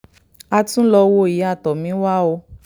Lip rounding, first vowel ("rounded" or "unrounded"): unrounded